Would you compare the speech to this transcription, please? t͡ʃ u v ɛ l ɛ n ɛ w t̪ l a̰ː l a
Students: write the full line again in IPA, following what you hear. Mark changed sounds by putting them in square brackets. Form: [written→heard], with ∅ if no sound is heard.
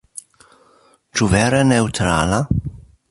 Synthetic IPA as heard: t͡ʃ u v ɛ [l→ɾ] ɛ n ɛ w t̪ [l→ɾ] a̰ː l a